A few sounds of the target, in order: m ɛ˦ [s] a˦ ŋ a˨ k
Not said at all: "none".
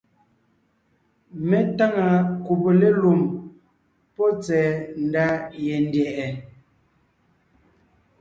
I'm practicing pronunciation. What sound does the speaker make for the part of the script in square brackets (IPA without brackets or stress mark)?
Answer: t